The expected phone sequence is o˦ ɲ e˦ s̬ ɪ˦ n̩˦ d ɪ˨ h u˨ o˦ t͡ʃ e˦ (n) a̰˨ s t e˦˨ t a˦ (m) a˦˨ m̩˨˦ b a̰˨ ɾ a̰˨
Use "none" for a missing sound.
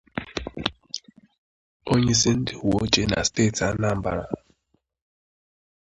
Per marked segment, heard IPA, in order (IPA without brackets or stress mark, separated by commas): n, n